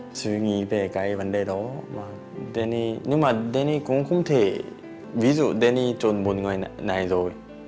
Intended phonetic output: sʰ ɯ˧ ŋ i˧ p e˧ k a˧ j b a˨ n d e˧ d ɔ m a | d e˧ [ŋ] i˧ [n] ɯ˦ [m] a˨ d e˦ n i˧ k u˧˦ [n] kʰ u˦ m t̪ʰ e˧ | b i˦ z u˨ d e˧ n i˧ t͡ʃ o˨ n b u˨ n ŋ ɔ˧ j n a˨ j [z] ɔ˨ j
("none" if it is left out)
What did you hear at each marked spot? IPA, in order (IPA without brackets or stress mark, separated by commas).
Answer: n, n, m, ŋ, z